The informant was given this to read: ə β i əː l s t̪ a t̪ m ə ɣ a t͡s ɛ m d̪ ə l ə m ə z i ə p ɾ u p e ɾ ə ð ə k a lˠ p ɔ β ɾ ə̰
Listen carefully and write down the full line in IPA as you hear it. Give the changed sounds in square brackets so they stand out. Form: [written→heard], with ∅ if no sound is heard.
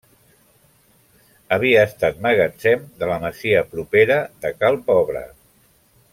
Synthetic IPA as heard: ə β i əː [l→∅] s t̪ a t̪ m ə ɣ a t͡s ɛ m d̪ ə l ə m ə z i ə p ɾ u p e ɾ ə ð ə k a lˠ p ɔ β ɾ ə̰